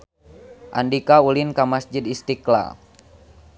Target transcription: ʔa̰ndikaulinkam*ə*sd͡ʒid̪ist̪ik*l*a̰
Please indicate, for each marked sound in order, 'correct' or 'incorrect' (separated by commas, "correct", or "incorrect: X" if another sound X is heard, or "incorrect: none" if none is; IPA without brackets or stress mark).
incorrect: a, correct